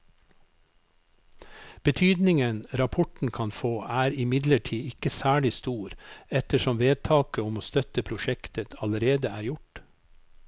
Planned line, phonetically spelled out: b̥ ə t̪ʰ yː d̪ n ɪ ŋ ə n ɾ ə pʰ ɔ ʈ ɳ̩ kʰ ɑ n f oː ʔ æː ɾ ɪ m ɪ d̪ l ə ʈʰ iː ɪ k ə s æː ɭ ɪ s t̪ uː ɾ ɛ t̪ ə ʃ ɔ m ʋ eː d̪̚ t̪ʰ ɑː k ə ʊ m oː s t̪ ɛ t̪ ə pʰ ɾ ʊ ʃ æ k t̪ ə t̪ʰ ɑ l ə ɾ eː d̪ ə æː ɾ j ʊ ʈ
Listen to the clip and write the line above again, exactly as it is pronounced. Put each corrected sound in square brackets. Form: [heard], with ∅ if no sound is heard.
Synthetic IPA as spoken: b̥ ə t̪ʰ yː d̪ n ɪ ŋ ə n ɾ [ɑ] pʰ ɔ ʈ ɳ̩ kʰ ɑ n f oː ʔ æː ɾ ɪ m ɪ d̪ l ə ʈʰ iː ɪ k ə s æː ɭ ɪ s t̪ uː ɾ ɛ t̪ ə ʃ ɔ m ʋ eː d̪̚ t̪ʰ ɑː k ə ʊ m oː s t̪ [œ] t̪ ə pʰ ɾ ʊ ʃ [ɛ] k t̪ ə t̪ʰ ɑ l ə ɾ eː d̪ ə æː ɾ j ʊ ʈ

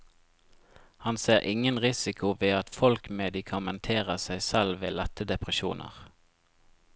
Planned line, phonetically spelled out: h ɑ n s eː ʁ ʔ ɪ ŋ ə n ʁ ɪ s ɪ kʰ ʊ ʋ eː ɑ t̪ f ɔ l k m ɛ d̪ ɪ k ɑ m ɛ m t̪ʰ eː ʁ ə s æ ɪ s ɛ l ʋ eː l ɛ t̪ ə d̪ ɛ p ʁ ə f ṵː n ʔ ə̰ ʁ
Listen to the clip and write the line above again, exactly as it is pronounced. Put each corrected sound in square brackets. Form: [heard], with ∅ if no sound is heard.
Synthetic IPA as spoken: h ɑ n s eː ʁ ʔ ɪ ŋ ə n ʁ ɪ s ɪ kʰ ʊ ʋ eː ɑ t̪ f ɔ l k m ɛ d̪ ɪ [kʰ] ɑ m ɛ [n] t̪ʰ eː ʁ ə s æ ɪ s ɛ l ʋ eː l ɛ t̪ ə d̪ ɛ p ʁ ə [ʃ] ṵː n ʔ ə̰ ʁ

